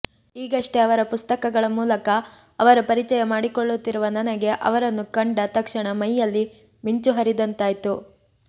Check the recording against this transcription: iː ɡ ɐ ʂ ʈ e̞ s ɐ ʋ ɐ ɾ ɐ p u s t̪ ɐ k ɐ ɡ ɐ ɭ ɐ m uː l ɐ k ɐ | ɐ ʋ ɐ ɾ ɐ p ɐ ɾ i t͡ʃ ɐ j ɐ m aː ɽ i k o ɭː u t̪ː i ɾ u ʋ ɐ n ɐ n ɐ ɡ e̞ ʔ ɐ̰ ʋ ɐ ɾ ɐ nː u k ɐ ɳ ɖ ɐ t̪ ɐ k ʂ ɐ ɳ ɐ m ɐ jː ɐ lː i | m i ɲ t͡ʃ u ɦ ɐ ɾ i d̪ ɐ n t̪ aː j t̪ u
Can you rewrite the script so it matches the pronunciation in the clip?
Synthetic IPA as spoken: iː ɡ ɐ ʂ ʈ e̞ ɐ ʋ ɐ ɾ ɐ p u s t̪ ɐ k ɐ ɡ ɐ ɭ ɐ m uː l ɐ k ɐ | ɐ ʋ ɐ ɾ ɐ p ɐ ɾ i t͡ʃ ɐ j ɐ m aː ɽ i k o ɭː u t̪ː i ɾ u ʋ ɐ n ɐ n ɐ ɡ e̞ ʔ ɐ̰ ʋ ɐ ɾ ɐ nː u k ɐ ɳ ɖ ɐ t̪ ɐ k ʂ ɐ ɳ ɐ m ɐ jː ɐ lː i | m i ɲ t͡ʃ u ɦ ɐ ɾ i d̪ ɐ n t̪ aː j t̪ u